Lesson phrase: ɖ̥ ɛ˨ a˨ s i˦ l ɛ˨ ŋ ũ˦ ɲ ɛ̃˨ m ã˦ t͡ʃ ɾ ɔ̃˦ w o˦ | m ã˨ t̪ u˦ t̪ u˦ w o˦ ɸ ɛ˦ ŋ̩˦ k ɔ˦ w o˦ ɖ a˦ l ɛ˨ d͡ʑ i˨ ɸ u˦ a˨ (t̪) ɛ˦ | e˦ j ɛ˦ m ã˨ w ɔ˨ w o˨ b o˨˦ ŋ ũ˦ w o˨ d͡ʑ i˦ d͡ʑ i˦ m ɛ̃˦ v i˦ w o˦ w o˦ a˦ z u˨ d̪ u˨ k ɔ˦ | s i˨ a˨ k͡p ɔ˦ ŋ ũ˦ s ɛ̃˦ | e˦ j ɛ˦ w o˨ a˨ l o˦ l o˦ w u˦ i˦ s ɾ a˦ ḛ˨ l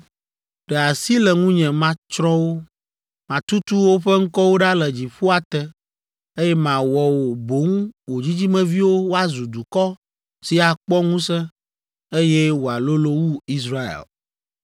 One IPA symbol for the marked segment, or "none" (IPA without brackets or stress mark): t̪